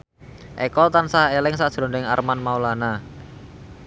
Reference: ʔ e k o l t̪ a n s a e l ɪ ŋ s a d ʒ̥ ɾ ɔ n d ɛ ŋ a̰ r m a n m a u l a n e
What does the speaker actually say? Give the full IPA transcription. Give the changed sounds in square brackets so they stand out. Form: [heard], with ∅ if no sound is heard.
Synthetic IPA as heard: ʔ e k [ɔ] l t̪ a n s a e l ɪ ŋ s a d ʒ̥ ɾ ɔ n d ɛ ŋ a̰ r m a n m a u l a n [a]

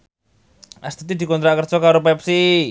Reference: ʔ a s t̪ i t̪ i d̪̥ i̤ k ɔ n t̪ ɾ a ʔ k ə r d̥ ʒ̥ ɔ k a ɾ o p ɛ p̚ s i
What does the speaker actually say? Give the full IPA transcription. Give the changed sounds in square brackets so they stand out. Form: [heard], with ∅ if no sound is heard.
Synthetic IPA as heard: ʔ a s t̪ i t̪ i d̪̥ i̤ k ɔ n t̪ ɾ a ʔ k ə r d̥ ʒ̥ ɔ k a ɾ o p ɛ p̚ s i

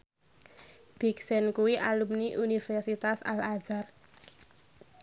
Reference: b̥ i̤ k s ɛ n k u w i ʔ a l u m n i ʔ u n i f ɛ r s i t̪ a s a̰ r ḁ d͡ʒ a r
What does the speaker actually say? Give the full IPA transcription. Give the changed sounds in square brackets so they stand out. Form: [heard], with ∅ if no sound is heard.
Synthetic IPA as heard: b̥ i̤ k s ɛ n k u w i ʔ a l u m n i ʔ u n i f ɛ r s i t̪ a s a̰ [l] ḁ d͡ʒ a r

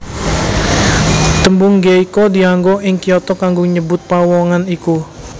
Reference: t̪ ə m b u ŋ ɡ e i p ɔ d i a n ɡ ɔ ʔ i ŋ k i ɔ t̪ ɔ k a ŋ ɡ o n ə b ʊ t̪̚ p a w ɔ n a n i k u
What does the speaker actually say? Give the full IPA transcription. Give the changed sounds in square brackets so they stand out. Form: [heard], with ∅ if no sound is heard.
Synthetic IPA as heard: t̪ ə m b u ŋ ɡ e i [k] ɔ d i a [ŋ] ɡ ɔ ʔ [ɪ] ŋ k i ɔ t̪ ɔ k a ŋ ɡ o [ɲ] ə b ʊ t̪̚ p a w ɔ [ŋ] a n i k u

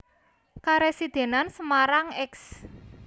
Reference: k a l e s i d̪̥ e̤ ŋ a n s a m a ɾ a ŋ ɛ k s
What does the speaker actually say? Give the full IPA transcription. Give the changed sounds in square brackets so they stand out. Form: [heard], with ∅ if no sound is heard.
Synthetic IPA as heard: k a [ɾ] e s i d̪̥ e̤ [n] a n s [ə] m a ɾ a ŋ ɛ k s

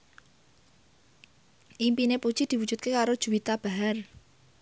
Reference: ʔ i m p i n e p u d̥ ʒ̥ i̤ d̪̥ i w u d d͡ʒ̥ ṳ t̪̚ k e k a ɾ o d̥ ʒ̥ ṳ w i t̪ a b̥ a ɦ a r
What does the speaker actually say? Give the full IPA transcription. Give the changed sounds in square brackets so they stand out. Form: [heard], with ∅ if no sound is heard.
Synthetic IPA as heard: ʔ i m p i n e p u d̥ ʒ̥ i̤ d̪̥ i w u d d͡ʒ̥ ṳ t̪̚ k e k a ɾ o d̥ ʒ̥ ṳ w i t̪ a b̥ a ɦ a r

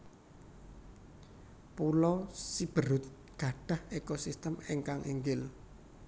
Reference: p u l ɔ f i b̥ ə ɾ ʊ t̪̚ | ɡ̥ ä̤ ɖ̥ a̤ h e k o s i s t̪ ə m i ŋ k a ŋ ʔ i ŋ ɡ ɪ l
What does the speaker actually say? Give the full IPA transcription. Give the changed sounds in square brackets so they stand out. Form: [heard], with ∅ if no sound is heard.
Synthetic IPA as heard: p u l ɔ [s] i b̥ ə ɾ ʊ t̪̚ | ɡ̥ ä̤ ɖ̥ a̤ h e k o s i s t̪ ə m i ŋ k a ŋ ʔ i ŋ ɡ ɪ l

